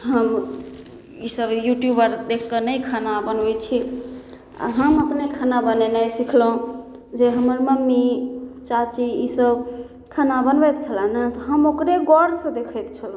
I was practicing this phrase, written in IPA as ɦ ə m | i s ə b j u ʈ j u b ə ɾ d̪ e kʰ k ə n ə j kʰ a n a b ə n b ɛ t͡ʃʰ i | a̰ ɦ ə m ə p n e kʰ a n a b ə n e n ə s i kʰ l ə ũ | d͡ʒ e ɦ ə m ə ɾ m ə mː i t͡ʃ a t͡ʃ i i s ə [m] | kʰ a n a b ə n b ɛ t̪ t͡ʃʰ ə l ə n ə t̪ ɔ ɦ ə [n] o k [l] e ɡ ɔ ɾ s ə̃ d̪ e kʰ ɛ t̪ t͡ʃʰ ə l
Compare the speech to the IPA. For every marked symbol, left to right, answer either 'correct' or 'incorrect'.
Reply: incorrect, incorrect, incorrect

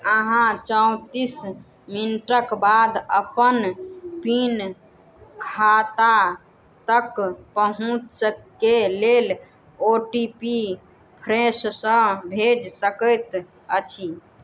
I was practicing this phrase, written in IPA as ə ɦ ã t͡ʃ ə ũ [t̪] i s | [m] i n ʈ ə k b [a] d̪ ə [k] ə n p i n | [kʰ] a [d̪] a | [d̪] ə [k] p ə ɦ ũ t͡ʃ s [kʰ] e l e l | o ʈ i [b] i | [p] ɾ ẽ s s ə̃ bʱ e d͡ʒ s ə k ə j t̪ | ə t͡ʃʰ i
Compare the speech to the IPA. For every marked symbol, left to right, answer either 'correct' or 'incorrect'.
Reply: correct, correct, correct, incorrect, correct, incorrect, incorrect, correct, incorrect, incorrect, incorrect

